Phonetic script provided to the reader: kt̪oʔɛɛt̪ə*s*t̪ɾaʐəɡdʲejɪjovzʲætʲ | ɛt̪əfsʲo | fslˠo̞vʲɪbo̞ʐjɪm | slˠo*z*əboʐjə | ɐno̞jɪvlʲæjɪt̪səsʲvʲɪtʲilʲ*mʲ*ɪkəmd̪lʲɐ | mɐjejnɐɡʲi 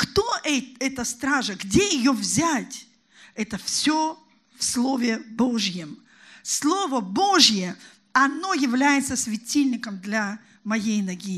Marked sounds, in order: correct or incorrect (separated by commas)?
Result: correct, incorrect, incorrect